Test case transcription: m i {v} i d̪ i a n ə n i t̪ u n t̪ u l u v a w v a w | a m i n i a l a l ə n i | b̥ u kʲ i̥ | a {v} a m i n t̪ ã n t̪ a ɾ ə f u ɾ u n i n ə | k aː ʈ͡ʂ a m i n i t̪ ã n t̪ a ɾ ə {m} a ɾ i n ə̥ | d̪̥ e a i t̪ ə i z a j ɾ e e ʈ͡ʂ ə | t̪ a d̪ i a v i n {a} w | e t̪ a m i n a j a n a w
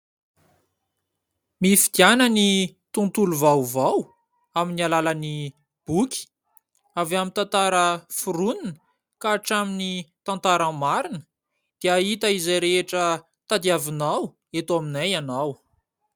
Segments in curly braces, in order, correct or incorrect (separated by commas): incorrect, correct, correct, correct